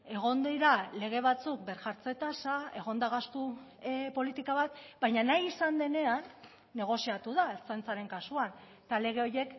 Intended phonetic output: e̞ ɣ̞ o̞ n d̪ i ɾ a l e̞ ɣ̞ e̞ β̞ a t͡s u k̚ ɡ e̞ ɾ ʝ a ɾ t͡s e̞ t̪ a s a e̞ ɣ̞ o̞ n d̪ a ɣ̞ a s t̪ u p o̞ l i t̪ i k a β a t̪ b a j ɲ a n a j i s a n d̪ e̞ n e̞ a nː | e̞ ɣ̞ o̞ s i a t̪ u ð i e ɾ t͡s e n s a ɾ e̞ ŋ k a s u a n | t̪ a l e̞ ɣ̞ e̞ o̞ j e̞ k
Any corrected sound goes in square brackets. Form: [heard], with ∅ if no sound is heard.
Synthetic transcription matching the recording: e̞ ɣ̞ o̞ n d̪ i ɾ a l e̞ ɣ̞ e̞ β̞ a t͡s u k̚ [b] e̞ ɾ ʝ a ɾ t͡s e̞ t̪ a s a e̞ ɣ̞ o̞ n d̪ a ɣ̞ a s t̪ u p o̞ l i t̪ i k a β a t̪ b a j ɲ a n a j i s a n d̪ e̞ n e̞ a nː | e̞ ɣ̞ o̞ s i a t̪ u ð [a] e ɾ t͡s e n [t͡s] a ɾ e̞ ŋ k a s u a n | t̪ a l e̞ ɣ̞ e̞ o̞ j e̞ k

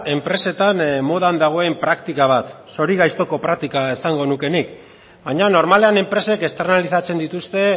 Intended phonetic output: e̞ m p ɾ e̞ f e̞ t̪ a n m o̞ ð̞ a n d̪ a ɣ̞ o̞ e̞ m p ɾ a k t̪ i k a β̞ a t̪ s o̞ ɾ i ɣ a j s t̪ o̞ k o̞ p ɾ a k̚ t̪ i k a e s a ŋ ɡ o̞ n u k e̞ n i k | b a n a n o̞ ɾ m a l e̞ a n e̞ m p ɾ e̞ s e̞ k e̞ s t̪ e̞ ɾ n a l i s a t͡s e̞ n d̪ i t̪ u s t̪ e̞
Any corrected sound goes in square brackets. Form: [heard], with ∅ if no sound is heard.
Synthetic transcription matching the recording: e̞ m p ɾ e̞ [s] e̞ t̪ a n m o̞ ð̞ a n d̪ a ɣ̞ o̞ e̞ m p ɾ a k t̪ i k a β̞ a t̪ s o̞ ɾ i ɣ a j s t̪ o̞ k o̞ p ɾ a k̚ t̪ i k a e s a ŋ ɡ o̞ n u k e̞ n i k | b a [ɲ] a n o̞ ɾ m a l e̞ a n e̞ m p ɾ e̞ s e̞ k e̞ s t̪ e̞ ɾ n a l i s a t͡s e̞ n d̪ i t̪ u s t̪ e̞

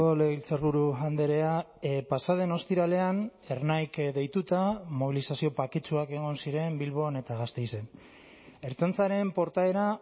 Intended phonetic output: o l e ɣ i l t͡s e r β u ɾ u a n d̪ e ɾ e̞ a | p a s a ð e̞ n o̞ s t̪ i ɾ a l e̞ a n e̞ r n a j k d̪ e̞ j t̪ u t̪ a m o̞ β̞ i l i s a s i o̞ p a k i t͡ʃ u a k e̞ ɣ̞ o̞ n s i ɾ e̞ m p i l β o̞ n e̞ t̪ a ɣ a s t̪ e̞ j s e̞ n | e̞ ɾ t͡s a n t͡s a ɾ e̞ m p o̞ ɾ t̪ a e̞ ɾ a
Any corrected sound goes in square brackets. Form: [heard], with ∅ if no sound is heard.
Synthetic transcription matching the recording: o l e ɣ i l t͡s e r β u ɾ u a n d̪ e ɾ e̞ a | p a s a ð e̞ n o̞ s t̪ i ɾ a l e̞ a n e̞ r n a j k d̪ e̞ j t̪ u t̪ a m o̞ β̞ i l i s a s i o̞ p a k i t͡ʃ u a k e̞ ɣ̞ o̞ n s i ɾ e̞ m [b] i l β o̞ n e̞ t̪ a ɣ a s t̪ e̞ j s e̞ n | e̞ ɾ t͡s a n t͡s a ɾ e̞ m p o̞ ɾ t̪ a e̞ ɾ a

